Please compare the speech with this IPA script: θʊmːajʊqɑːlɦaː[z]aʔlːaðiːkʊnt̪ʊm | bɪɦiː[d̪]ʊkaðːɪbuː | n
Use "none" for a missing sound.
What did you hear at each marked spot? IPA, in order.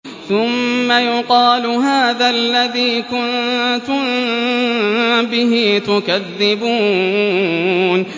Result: ð, t̪

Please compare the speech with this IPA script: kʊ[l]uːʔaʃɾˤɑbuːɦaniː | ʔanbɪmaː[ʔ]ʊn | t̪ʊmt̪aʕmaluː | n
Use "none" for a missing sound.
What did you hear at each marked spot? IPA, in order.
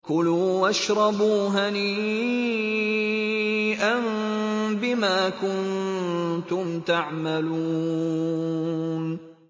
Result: l, k

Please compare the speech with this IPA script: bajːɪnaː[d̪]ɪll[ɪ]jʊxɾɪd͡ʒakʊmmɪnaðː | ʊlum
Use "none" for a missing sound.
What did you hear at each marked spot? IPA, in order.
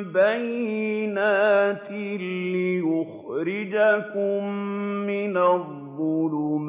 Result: t̪, ɪ

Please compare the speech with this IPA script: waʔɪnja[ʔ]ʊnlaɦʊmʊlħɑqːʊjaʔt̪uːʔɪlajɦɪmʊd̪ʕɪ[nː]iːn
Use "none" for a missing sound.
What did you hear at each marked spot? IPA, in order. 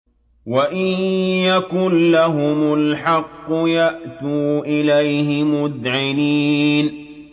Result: k, n

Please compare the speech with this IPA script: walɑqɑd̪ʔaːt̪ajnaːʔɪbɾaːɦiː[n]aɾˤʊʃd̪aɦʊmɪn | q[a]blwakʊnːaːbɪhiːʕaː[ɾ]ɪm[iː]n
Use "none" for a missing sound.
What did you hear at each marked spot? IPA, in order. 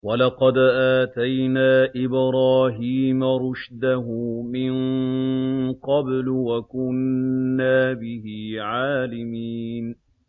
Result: m, ɑ, l, iː

